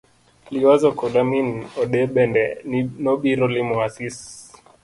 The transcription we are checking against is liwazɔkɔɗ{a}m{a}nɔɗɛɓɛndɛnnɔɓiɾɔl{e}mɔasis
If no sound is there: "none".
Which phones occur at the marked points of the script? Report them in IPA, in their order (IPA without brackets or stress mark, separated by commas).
a, i, i